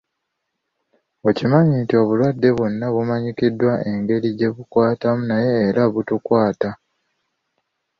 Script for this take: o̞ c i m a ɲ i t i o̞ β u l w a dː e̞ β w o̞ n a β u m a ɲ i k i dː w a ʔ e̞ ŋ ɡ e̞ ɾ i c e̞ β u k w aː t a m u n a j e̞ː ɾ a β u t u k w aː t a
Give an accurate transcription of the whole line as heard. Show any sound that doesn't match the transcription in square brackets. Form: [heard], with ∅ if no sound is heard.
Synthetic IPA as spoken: o̞ c i m a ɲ i t i o̞ β u l w a dː e̞ β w o̞ [nː] a β u m a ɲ i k i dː w a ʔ e̞ ŋ ɡ e̞ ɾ i [ɟ] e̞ β u k w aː t a m u n a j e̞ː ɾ a β u t u k w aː t a